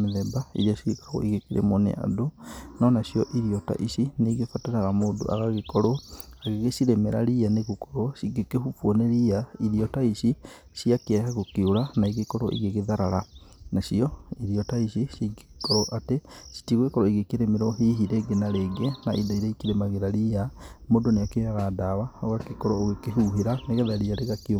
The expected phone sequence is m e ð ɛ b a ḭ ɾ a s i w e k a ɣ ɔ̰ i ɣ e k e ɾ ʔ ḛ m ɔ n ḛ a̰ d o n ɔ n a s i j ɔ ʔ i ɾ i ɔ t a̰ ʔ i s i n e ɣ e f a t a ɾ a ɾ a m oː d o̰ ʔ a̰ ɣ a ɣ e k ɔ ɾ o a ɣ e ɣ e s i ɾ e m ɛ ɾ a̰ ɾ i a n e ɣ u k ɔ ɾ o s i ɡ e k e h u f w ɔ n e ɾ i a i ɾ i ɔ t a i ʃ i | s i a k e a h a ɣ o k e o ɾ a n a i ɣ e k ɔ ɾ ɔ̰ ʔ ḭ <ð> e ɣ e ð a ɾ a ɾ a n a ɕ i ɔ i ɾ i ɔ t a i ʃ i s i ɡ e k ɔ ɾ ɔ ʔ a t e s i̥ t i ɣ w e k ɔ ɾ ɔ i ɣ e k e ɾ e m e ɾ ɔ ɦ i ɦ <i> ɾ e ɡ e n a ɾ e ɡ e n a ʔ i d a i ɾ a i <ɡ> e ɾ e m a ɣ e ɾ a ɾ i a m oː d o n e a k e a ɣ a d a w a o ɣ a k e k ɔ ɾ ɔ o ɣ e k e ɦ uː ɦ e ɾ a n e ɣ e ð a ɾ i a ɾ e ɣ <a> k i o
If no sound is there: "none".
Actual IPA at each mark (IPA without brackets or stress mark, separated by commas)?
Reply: ɣ, i, k, a